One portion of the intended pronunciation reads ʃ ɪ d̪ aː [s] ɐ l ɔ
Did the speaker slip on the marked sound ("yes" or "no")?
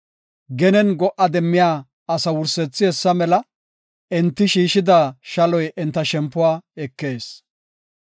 yes